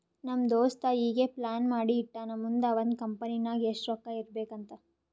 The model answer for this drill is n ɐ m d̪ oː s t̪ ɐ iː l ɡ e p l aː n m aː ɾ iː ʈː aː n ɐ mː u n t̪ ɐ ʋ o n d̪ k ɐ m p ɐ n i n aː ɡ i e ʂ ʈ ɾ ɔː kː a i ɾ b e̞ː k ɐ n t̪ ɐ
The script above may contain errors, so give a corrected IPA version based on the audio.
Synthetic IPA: n ɐ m d̪ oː s t̪ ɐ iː ɡ e p l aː n m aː ɽ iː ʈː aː n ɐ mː u n d̪ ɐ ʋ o n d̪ k ɐ m p ɐ n i n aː ɡ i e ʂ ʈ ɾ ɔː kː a i ɾ b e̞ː k ɐ n t̪ ɐ